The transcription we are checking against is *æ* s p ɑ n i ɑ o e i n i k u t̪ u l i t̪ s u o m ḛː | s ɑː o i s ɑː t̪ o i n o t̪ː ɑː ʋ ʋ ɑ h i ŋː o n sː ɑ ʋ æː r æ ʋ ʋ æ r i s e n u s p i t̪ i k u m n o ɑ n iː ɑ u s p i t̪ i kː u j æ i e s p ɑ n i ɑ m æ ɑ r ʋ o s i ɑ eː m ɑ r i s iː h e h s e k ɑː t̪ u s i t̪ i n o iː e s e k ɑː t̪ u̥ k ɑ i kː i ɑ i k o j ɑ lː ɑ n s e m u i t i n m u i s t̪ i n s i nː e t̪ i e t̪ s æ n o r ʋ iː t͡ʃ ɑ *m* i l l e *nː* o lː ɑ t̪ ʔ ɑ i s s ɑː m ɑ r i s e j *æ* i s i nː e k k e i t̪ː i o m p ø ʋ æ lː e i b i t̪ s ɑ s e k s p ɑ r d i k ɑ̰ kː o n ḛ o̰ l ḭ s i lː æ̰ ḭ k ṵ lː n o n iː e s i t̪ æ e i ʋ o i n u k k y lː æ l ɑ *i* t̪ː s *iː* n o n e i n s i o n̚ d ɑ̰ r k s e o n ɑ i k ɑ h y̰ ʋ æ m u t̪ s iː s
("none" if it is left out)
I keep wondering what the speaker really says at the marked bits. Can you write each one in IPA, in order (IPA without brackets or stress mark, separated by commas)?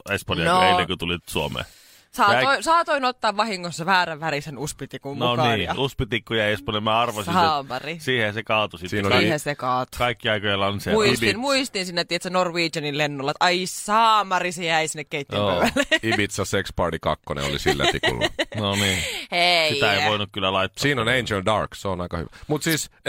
e, n, nː, æ, i, iː